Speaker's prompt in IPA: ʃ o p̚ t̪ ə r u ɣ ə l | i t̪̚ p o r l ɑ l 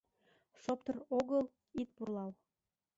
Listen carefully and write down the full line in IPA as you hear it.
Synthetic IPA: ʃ o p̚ t̪ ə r o ɣ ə l | i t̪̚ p u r l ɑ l

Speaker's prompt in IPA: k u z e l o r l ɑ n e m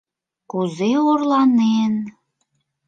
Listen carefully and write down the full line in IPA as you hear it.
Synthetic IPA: k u z e o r l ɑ n e n

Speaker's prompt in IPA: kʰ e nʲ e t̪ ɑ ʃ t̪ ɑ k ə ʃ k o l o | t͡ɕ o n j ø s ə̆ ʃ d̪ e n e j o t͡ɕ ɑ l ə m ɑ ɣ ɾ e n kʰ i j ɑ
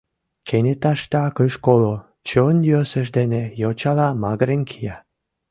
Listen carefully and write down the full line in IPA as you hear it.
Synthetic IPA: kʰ e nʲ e t̪ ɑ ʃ t̪ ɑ k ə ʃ k o l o | t͡ɕ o n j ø s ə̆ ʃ d̪ e n e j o t͡ɕ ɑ l ɑ m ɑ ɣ ɾ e n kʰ i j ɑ

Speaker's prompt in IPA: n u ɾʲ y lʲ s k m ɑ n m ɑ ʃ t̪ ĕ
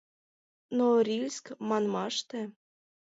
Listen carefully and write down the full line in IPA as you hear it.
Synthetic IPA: n o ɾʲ i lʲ s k m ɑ n m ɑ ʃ t̪ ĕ

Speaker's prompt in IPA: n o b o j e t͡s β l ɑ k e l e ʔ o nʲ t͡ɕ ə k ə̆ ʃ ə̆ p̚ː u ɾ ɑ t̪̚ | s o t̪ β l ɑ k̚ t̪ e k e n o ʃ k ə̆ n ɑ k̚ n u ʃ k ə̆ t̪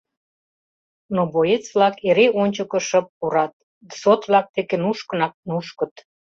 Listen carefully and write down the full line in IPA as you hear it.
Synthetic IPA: n o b o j e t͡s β l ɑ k e ɾ e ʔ o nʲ t͡ɕ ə k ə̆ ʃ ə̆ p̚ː u ɾ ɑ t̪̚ | s o t̪ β l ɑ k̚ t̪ e k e n u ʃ k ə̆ n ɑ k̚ n u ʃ k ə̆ t̪

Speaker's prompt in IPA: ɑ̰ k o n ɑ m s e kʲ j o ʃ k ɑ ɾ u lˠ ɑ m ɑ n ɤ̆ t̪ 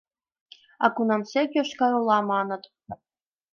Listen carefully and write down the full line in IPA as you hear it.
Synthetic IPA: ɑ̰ k u n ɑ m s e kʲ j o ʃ k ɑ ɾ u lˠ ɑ m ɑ n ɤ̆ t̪

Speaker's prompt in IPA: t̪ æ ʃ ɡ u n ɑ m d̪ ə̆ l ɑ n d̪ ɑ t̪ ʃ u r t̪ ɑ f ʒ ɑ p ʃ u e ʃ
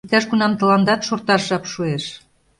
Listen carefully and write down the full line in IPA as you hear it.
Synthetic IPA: t̪ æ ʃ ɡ u n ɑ m t̪ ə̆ l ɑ n d̪ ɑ t̪ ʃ o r t̪ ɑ ʃ ʒ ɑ p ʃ u e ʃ

